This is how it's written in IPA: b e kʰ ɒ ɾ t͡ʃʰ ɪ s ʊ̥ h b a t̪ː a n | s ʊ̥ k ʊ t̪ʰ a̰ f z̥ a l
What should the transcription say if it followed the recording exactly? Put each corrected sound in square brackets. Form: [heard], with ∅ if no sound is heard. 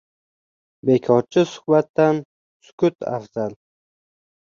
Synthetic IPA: b e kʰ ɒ ɾ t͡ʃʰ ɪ s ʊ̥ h b a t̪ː a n | s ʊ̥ k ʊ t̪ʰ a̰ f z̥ a l